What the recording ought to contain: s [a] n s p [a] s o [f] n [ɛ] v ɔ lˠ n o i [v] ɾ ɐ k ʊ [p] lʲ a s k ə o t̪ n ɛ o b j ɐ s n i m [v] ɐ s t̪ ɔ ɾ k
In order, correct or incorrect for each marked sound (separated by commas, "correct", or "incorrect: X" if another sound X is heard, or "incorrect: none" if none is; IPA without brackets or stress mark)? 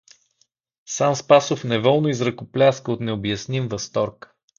correct, correct, correct, correct, incorrect: z, correct, correct